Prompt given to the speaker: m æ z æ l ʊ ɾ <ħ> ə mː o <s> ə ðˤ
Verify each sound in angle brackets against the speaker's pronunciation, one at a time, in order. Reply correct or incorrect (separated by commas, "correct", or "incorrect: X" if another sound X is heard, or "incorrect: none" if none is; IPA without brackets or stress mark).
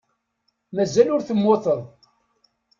incorrect: θ, incorrect: θ